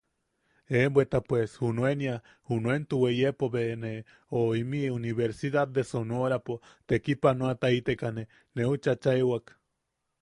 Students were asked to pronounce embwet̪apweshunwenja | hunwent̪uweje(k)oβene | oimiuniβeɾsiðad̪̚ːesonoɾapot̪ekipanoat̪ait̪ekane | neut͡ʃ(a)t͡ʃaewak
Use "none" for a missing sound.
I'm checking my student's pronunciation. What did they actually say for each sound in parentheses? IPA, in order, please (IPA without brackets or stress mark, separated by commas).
p, a